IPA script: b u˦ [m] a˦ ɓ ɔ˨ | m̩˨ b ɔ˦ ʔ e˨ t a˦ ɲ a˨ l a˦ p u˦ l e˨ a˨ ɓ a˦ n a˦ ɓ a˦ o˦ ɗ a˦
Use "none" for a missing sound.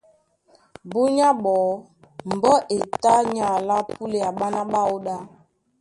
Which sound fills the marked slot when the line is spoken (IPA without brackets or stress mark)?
ɲ